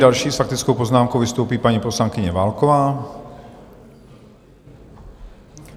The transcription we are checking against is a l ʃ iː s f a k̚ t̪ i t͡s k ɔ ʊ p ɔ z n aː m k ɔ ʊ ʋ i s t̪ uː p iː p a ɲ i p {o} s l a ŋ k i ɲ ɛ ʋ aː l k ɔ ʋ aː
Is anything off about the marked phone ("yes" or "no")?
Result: yes